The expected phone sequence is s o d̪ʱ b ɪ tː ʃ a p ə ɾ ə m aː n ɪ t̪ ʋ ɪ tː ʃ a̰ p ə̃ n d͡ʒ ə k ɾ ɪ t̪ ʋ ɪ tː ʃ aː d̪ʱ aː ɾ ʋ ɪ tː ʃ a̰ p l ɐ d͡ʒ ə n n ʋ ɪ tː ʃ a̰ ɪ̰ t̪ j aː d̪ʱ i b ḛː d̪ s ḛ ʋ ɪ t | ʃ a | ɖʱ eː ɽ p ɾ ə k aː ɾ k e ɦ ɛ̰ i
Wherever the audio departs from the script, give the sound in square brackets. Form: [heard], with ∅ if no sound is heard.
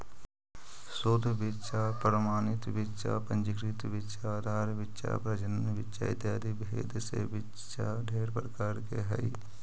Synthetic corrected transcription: s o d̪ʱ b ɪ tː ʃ a p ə ɾ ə m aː n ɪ t̪ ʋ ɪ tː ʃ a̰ p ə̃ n d͡ʒ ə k ɾ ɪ t̪ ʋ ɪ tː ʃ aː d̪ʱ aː ɾ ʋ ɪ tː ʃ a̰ p [ɾ] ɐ d͡ʒ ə n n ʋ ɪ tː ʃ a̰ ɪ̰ t̪ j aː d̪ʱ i b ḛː d̪ s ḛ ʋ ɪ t | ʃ a | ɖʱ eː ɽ p ɾ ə k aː ɾ k e ɦ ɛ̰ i